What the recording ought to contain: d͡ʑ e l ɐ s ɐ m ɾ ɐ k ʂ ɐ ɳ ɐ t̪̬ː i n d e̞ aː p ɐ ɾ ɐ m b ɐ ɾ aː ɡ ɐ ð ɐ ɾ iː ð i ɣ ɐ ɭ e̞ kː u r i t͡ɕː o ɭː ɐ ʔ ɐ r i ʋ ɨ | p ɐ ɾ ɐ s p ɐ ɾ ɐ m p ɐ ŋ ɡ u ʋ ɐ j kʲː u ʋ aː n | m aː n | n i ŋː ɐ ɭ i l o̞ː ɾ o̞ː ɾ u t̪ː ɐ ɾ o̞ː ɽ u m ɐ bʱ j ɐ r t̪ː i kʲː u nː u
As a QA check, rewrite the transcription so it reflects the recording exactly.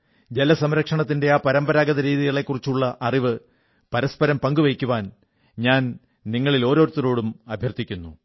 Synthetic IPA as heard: d͡ʑ e l ɐ s ɐ m ɾ ɐ k ʂ ɐ ɳ ɐ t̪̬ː i n d e̞ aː p ɐ ɾ ɐ m b ɐ ɾ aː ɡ ɐ ð ɐ ɾ iː ð i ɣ ɐ ɭ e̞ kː u r i t͡ɕː u ɭː ɐ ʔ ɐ r i ʋ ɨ | p ɐ ɾ ɐ s p ɐ ɾ ɐ m p ɐ ŋ ɡ u ʋ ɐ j kʲː u ʋ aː n | ɲ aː n | n i ŋː ɐ ɭ i l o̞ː ɾ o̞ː ɾ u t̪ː ɐ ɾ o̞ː ɽ u m ɐ bʱ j ɐ r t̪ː i kʲː u nː u